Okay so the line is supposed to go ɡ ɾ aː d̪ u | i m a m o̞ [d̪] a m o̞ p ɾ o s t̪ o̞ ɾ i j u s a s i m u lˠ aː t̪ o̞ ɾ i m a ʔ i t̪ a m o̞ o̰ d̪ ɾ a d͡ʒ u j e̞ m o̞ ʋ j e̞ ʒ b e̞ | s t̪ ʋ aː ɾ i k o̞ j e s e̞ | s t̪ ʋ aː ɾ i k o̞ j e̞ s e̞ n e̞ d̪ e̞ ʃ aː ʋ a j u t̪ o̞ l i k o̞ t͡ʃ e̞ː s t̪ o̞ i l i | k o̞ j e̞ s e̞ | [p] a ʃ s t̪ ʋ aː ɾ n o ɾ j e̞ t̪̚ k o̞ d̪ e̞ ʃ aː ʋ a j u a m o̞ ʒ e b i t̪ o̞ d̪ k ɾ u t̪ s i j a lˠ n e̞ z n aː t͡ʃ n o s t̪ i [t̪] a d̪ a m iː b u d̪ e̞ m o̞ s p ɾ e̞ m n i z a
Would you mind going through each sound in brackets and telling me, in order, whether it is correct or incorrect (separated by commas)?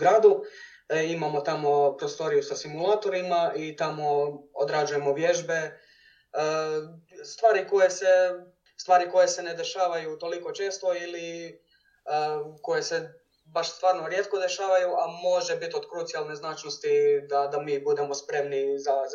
incorrect, incorrect, incorrect